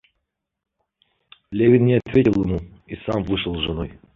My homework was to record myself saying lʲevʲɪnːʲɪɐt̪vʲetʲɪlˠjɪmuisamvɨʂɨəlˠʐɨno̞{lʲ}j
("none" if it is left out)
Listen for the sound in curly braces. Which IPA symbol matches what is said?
none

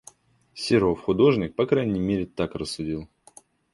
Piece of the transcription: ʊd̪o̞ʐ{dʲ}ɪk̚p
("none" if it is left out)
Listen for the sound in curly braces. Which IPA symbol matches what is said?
nʲ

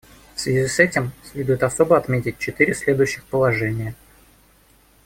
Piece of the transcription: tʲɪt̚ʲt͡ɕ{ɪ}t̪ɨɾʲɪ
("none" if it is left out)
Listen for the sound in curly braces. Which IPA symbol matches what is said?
ɪ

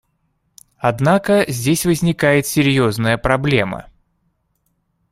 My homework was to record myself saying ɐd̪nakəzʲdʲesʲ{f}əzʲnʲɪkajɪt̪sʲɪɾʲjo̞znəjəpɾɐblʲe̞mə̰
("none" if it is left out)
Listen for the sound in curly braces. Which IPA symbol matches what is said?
v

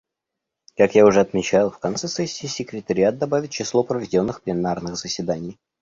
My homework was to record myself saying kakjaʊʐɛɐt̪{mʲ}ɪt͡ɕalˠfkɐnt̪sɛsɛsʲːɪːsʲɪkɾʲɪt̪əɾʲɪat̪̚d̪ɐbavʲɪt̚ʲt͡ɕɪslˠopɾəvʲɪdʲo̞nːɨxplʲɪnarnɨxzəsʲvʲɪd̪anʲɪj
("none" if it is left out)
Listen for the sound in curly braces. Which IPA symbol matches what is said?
mʲ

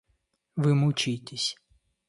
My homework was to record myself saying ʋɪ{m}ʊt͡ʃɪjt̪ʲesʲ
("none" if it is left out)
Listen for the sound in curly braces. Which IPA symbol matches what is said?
m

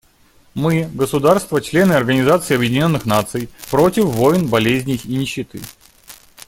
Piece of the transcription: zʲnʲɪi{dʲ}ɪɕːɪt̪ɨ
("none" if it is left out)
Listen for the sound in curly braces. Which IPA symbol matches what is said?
nʲ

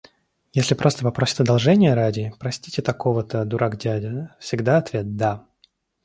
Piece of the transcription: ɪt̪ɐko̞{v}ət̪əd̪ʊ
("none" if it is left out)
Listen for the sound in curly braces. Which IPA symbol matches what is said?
v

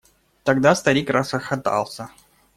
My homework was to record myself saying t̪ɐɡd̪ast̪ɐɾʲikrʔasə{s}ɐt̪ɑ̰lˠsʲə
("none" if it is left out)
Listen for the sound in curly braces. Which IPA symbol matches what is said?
x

